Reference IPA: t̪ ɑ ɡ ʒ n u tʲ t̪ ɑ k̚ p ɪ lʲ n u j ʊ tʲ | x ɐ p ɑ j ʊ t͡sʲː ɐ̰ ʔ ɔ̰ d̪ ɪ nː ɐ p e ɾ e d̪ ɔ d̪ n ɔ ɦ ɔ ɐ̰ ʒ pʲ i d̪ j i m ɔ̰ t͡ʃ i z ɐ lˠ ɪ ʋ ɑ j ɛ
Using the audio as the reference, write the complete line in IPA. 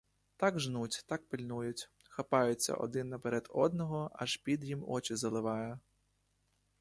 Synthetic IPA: t̪ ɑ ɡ ʒ n u tʲ t̪ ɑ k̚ p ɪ lʲ n u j ʊ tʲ | x ɐ p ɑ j ʊ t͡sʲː ɐ̰ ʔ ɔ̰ d̪ ɪ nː ɐ p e ɾ ɛ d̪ ɔ d̪ n ɔ ɦ ɔ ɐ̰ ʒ pʲ i d̪ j i m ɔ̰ t͡ʃ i z ɐ lˠ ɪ ʋ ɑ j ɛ